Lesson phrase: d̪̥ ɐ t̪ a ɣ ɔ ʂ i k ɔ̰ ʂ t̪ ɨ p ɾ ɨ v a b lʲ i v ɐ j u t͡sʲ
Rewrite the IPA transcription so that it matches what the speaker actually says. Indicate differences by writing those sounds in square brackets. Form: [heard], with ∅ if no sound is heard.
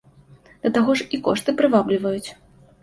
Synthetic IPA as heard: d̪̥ ɐ t̪ a ɣ ɔ ʂ i k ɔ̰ ʂ t̪ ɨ p ɾ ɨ v a b lʲ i v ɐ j u t͡sʲ